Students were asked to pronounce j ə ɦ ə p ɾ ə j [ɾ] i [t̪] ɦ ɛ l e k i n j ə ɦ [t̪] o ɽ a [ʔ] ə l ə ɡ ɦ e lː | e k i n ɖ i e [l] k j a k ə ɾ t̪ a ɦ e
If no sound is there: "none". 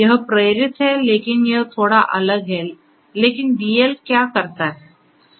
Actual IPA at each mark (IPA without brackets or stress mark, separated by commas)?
ɾ, t̪, t̪ʰ, ʔ, l